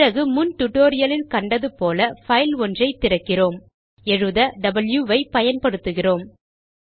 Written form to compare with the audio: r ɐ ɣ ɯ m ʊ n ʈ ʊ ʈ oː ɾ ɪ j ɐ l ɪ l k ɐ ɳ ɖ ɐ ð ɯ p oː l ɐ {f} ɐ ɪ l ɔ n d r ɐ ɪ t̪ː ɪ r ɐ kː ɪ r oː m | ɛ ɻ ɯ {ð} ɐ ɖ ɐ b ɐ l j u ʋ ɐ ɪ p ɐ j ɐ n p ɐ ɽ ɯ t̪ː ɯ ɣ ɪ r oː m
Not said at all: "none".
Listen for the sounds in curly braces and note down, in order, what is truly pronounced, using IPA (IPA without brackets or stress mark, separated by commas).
f, ð